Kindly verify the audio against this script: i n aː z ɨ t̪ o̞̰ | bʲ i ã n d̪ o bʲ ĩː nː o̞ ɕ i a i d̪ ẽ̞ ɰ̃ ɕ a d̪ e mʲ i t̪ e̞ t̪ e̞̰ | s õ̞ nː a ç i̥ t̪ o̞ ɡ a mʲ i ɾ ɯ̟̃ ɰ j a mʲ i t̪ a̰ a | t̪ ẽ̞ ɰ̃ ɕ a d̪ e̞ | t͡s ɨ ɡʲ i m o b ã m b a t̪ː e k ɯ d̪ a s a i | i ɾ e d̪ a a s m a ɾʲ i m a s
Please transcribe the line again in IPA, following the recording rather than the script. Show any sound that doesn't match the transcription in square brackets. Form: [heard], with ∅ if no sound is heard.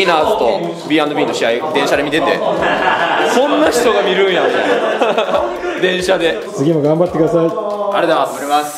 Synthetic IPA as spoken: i n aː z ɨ t̪ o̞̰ | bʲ i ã n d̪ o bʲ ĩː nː o̞ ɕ i a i d̪ ẽ̞ ɰ̃ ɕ a d̪ e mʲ i t̪ e̞ t̪ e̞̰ | s õ̞ nː a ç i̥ t̪ o̞ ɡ a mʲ i ɾ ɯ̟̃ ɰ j a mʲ i t̪ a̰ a | [d̪] ẽ̞ ɰ̃ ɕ a d̪ e̞ | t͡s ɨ ɡʲ i m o [ɡ] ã m b a t̪ː e k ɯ d̪ a s a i | [a] ɾ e d̪ a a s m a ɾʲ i m a s